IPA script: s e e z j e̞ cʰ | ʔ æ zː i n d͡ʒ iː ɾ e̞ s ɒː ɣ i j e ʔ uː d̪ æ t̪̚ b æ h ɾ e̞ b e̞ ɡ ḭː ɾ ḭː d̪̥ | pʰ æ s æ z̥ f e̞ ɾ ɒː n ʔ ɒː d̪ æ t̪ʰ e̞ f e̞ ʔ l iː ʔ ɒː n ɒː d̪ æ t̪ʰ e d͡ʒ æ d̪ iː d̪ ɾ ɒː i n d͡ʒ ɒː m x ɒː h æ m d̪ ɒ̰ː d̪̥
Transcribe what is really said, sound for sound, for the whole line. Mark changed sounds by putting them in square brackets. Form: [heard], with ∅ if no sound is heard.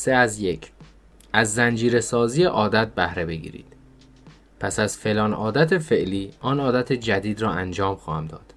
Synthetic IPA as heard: s e [æ] z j e̞ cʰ | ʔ æ zː [æ] n d͡ʒ iː ɾ e̞ s ɒː [z] i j e ʔ [ɒː] d̪ æ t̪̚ b æ h ɾ e̞ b e̞ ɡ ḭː ɾ ḭː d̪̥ | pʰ æ s æ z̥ f e̞ [l] ɒː n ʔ ɒː d̪ æ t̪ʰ e̞ f e̞ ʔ l iː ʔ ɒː n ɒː d̪ æ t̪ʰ e d͡ʒ æ d̪ iː d̪ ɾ ɒː [æ] n d͡ʒ ɒː m x ɒː h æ m d̪ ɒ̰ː d̪̥